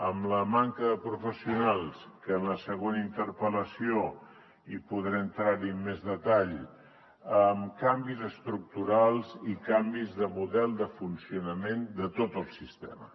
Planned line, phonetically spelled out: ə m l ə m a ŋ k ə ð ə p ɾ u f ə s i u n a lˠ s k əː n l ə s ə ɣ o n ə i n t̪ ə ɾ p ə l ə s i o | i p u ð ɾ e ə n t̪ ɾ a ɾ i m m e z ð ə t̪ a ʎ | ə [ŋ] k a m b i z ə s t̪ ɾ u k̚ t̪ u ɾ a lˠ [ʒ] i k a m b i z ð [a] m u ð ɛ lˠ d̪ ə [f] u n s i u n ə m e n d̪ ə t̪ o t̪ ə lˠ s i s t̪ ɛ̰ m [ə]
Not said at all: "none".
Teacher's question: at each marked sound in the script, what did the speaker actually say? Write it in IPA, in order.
m, z, ə, f, ə

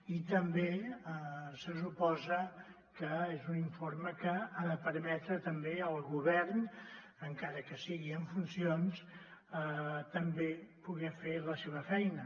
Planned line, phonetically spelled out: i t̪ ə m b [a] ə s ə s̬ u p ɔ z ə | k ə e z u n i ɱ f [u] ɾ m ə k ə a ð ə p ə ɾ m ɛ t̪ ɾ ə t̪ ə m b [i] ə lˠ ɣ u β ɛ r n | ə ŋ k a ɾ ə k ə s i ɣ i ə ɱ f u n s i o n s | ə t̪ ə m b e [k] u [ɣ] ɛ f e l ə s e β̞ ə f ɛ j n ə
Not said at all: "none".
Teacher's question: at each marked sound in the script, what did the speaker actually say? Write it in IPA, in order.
e, o, e, p, ɣ

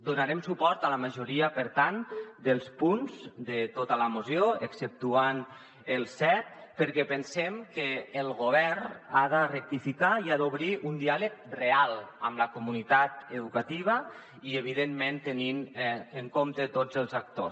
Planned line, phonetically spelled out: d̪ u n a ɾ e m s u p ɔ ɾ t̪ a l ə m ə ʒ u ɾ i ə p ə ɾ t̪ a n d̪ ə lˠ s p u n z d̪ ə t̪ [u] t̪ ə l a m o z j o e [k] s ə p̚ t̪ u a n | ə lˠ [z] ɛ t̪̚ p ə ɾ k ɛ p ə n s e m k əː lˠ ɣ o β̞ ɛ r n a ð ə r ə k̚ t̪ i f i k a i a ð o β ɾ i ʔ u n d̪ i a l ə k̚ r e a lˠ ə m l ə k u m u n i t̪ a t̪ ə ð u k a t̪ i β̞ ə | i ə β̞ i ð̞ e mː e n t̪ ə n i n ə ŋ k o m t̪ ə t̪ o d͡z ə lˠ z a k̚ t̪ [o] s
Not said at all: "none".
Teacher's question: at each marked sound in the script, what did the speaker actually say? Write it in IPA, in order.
o, k, s, o

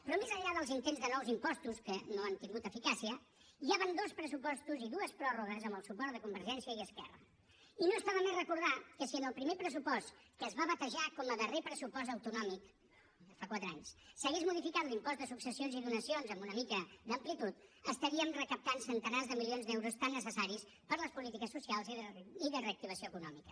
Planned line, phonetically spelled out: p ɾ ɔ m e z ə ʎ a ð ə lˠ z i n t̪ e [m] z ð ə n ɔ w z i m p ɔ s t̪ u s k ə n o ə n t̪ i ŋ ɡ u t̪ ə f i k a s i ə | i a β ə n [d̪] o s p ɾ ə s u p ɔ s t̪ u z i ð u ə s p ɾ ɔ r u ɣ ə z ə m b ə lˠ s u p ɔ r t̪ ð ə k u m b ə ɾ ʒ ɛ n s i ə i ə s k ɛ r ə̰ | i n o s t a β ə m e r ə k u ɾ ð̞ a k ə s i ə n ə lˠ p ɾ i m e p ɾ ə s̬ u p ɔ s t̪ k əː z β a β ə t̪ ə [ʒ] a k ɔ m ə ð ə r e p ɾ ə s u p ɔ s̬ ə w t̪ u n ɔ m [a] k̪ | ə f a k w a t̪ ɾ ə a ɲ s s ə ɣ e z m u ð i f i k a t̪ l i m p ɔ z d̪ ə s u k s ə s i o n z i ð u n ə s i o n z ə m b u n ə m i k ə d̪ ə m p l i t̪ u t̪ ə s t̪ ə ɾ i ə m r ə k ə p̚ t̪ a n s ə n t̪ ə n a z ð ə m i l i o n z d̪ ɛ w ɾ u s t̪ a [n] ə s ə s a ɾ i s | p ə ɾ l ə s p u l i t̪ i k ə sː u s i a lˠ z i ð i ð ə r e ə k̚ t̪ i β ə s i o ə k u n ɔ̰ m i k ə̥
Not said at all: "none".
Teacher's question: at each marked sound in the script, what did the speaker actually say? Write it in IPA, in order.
n, d̪, ʒ, i, nː

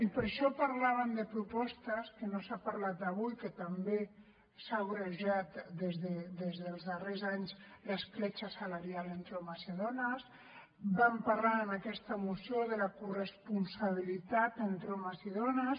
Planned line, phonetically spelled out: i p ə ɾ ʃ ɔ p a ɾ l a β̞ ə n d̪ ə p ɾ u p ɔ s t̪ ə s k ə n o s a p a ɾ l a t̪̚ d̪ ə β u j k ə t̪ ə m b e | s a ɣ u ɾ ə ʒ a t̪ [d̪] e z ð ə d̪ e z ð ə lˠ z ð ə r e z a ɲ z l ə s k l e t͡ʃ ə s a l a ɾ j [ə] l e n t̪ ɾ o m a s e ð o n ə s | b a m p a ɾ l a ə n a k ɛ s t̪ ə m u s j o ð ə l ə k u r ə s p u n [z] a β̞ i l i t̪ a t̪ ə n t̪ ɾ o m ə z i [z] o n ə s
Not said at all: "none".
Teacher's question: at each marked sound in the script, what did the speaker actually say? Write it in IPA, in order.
d̪, a, s, ð

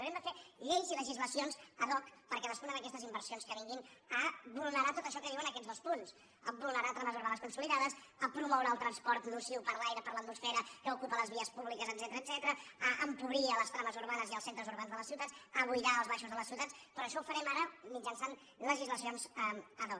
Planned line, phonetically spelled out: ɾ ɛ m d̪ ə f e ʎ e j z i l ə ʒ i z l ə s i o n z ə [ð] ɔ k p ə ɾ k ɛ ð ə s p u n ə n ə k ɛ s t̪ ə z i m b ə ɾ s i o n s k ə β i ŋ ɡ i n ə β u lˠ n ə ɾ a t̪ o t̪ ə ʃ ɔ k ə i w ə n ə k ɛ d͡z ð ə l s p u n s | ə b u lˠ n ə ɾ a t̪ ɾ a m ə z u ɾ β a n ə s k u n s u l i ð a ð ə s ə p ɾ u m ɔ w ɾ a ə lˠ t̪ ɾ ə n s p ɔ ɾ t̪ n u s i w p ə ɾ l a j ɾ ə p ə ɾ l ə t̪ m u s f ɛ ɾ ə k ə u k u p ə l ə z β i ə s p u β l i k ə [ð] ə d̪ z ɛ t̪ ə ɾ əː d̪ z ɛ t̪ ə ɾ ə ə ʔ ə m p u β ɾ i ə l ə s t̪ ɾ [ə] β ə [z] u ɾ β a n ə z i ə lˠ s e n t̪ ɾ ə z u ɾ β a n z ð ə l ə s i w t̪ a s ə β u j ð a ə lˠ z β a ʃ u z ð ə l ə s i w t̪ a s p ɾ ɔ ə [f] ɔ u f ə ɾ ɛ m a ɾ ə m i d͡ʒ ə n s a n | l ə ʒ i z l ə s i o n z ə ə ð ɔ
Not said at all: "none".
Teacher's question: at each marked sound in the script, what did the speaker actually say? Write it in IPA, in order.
ð, z, a, z, ʃ

